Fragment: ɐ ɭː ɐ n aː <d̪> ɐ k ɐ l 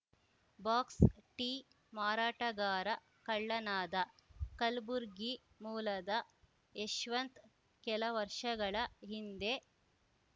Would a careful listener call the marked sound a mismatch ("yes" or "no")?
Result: no